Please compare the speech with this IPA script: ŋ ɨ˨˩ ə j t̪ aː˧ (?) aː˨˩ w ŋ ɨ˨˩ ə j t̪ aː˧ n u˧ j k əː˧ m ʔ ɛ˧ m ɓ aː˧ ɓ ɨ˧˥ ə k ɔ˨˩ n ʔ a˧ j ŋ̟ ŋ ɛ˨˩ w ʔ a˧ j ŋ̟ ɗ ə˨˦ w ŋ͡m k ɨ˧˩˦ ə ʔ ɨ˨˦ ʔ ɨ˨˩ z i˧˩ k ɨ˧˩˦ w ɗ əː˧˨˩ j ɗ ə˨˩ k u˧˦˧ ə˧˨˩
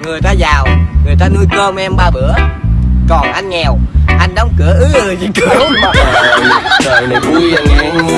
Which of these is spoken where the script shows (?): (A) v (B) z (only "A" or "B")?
B